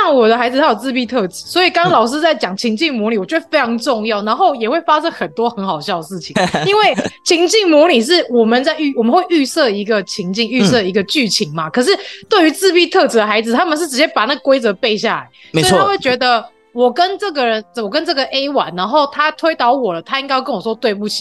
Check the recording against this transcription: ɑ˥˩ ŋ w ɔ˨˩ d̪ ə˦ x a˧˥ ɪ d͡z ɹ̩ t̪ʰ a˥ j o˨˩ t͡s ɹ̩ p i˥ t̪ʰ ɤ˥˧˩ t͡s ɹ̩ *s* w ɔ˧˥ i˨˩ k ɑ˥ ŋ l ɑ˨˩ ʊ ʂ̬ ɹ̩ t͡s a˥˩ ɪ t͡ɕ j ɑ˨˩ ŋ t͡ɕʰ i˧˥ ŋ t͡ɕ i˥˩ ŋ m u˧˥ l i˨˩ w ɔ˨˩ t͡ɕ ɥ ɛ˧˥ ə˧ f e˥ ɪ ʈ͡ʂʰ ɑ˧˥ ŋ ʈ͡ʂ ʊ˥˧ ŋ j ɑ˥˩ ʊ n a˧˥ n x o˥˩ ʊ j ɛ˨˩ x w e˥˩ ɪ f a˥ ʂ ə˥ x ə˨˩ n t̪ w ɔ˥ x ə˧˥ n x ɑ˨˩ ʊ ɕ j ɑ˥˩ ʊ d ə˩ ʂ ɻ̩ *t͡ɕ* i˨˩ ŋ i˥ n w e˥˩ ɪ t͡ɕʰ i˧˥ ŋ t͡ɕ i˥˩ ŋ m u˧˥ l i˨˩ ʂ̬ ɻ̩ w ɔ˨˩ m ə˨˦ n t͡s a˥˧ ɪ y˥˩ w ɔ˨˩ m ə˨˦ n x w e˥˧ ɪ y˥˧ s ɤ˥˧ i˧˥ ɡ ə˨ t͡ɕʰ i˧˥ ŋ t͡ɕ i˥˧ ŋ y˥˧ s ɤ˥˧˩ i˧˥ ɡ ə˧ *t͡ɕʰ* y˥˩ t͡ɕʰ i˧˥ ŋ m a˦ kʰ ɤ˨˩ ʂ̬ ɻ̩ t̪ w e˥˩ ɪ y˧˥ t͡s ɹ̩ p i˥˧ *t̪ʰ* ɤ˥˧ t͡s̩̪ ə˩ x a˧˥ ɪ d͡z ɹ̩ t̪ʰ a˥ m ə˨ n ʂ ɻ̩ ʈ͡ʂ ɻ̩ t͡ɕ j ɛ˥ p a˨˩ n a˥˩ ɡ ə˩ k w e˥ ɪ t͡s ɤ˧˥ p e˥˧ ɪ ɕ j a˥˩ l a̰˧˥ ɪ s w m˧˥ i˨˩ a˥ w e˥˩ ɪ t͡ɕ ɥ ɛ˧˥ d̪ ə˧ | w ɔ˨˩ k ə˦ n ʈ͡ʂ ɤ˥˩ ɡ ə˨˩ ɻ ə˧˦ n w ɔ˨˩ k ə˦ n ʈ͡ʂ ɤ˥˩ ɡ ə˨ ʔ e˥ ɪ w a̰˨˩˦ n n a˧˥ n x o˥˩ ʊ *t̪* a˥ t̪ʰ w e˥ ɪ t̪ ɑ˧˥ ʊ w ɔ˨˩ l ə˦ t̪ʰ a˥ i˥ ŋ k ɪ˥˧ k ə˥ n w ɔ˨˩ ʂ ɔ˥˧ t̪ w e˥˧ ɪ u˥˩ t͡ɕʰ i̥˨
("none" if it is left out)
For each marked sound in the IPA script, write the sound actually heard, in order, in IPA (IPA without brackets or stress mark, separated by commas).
s, t͡ɕʰ, t͡ɕ, t̪ʰ, t̪ʰ